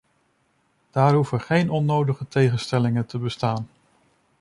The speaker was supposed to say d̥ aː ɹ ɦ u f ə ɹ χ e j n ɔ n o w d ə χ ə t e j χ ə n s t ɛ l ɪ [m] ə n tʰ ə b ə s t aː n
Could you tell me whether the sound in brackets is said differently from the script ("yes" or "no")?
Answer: yes